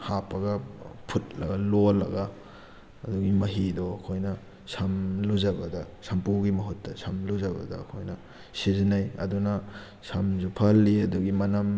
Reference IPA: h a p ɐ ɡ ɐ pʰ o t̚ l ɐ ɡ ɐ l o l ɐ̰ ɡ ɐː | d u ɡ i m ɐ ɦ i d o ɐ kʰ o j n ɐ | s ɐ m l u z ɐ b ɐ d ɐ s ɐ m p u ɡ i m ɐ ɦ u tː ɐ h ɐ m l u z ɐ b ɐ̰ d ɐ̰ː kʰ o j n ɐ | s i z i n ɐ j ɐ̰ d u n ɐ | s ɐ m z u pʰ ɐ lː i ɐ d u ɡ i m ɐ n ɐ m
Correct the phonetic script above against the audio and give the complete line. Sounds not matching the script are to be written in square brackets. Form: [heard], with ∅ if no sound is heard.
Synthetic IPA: h a p ɐ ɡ ɐ pʰ [u] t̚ l ɐ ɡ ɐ l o l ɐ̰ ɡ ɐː | d u ɡ i m ɐ ɦ i d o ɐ kʰ o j n ɐ | s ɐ m l u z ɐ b ɐ d ɐ s ɐ m p u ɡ i m ɐ ɦ u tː ɐ [s] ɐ m l u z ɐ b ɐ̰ d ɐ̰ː kʰ o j n ɐ | s i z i n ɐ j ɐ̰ d u n ɐ | s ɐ m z u pʰ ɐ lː i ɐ d u ɡ i m ɐ n ɐ m